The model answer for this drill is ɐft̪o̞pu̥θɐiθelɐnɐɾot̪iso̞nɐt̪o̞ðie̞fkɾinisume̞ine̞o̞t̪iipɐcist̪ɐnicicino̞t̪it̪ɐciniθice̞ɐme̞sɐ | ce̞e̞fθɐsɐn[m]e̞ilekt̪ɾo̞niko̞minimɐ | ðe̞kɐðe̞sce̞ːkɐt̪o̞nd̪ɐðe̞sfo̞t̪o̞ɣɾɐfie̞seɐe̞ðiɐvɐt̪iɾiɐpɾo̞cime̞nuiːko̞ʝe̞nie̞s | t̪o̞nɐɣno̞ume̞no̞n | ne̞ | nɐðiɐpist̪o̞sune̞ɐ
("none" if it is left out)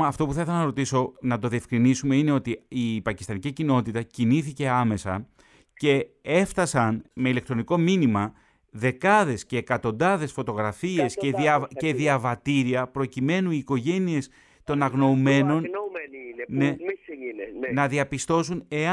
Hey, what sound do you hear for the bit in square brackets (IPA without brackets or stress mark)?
m